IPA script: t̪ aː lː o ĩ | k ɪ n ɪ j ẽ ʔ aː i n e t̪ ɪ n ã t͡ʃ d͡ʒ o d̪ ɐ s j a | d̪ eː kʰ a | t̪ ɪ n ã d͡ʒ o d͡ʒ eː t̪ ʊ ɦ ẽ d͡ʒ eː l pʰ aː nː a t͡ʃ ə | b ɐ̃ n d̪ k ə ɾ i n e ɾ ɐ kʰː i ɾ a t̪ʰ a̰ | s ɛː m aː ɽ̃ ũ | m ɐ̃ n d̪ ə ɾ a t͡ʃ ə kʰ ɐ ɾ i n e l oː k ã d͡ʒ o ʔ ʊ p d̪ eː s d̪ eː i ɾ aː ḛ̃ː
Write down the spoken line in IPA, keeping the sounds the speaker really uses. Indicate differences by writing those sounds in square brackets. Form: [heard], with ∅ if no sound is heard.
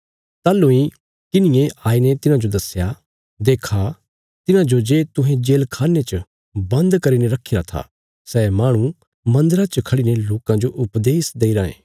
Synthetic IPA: t̪ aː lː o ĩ | k ɪ n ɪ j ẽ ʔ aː i n e t̪ ɪ n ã [∅] d͡ʒ o d̪ ɐ s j a | d̪ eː kʰ a | t̪ ɪ n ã d͡ʒ o d͡ʒ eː t̪ ʊ ɦ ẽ d͡ʒ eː l [kʰ] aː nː [e] t͡ʃ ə | b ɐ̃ n d̪ k [ɐ] ɾ i n e ɾ ɐ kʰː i ɾ a t̪ʰ a̰ | s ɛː m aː ɽ̃ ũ | m ɐ̃ n d̪ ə ɾ a t͡ʃ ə kʰ ɐ [ɽ] i n e l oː k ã d͡ʒ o ʔ ʊ p d̪ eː s d̪ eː i ɾ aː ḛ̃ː